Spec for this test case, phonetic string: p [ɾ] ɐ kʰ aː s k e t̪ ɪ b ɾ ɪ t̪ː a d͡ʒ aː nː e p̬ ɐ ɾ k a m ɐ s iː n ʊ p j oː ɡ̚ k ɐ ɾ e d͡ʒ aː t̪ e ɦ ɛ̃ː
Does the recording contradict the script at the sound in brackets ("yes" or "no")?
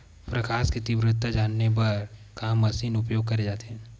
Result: no